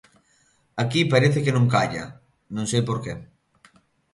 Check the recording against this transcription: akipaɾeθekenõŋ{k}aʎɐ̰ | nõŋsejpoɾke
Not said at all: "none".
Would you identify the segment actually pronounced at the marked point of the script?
k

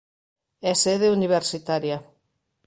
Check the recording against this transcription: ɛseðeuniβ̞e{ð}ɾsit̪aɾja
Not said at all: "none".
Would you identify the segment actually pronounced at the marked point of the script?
none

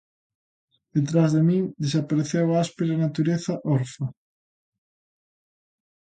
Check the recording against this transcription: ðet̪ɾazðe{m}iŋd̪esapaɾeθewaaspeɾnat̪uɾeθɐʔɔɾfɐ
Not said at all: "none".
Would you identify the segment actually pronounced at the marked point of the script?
m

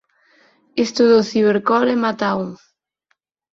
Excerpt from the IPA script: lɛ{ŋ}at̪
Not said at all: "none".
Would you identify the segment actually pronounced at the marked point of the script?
m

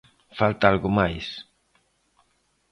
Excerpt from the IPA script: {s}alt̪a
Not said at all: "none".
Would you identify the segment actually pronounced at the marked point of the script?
f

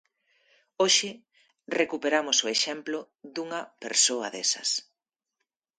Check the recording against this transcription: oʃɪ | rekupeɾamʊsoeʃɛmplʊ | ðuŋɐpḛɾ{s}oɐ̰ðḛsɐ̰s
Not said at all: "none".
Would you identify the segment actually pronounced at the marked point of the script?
s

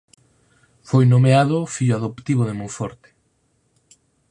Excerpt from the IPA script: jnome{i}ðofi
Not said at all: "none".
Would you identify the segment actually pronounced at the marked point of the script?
a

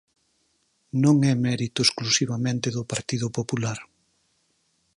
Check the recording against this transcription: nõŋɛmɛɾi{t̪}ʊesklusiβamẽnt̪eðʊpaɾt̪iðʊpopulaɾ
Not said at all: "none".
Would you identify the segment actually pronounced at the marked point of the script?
t̪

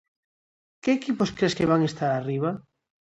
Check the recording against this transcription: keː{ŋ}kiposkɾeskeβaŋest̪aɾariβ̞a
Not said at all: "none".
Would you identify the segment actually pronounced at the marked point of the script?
none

